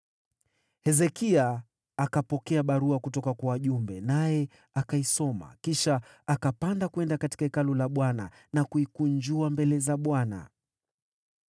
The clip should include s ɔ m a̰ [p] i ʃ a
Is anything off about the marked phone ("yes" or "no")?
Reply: yes